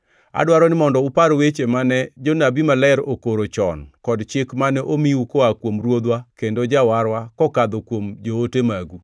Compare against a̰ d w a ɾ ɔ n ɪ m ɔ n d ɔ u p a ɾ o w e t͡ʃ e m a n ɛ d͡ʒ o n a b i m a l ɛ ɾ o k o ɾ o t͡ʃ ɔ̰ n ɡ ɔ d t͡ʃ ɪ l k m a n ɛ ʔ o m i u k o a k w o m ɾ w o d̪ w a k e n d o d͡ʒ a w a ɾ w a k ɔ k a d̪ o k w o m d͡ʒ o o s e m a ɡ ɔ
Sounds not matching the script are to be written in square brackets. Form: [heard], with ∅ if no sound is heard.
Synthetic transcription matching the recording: a̰ d w a ɾ ɔ n ɪ m ɔ n d ɔ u p a ɾ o w e t͡ʃ e m a n ɛ d͡ʒ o n a b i m a l ɛ ɾ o k o ɾ o t͡ʃ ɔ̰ n [k] ɔ d t͡ʃ ɪ [∅] k m a n ɛ ʔ o m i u k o a k w o m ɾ w o d̪ w a k e n d o d͡ʒ a w a ɾ w a k ɔ k a d̪ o k w o m d͡ʒ o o [t] e m a ɡ [u]